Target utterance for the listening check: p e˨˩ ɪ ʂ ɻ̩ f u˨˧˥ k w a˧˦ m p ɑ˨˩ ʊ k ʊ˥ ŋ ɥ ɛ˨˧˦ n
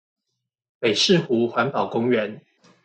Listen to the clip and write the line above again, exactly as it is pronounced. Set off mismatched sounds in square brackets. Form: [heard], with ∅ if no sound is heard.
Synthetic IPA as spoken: p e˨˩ ɪ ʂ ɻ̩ [x] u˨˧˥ [x] w a˧˦ [n] p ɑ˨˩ ʊ k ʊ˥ ŋ ɥ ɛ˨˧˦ n